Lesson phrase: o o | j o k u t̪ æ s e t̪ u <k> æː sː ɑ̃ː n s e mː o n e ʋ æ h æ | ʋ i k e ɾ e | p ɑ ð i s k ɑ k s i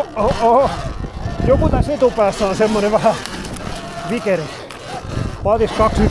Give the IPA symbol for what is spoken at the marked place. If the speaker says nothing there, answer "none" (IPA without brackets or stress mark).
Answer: p